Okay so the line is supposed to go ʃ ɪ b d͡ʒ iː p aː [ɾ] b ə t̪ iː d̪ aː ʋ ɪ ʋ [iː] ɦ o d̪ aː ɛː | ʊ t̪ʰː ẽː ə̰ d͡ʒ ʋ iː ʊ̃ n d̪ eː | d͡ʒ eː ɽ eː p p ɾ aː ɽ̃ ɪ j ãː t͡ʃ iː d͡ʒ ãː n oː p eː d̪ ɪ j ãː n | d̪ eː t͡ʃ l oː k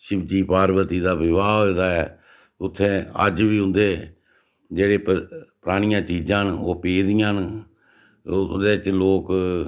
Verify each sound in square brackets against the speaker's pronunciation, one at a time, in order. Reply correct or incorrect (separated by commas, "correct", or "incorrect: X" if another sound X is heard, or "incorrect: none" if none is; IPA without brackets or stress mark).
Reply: correct, incorrect: aː